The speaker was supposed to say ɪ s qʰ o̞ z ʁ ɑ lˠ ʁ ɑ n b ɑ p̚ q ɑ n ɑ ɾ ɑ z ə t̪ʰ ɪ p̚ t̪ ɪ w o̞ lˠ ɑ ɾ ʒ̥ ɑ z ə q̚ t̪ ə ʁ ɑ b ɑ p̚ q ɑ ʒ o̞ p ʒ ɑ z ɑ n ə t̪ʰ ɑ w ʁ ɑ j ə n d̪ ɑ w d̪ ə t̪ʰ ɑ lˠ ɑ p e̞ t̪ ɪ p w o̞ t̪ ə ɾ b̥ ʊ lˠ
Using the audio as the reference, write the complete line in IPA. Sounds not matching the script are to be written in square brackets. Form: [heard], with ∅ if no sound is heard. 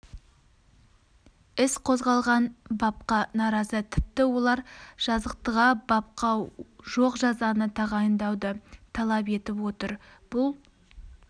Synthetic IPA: ɪ s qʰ o̞ z ʁ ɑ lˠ ʁ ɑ n b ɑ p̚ q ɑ n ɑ ɾ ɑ z ə t̪ʰ ɪ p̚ t̪ ɪ w o̞ lˠ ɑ ɾ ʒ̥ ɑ z ə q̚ t̪ ə ʁ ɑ b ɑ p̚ q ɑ ʒ o̞ [q] ʒ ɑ z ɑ n ə t̪ʰ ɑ [∅] ʁ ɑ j ə n d̪ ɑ w d̪ ə t̪ʰ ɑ lˠ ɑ p e̞ t̪ ɪ p w o̞ t̪ ə ɾ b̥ ʊ lˠ